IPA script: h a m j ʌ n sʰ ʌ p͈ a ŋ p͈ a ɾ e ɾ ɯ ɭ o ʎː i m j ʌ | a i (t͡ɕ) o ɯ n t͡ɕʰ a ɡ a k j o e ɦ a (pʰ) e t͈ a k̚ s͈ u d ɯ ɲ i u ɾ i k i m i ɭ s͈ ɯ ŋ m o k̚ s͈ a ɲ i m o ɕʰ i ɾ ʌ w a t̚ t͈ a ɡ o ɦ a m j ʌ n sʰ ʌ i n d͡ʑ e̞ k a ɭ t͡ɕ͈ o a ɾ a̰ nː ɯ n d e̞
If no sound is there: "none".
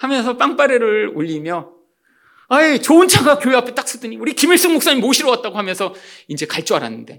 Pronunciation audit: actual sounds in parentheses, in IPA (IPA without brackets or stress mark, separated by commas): t͡ɕ, pʰ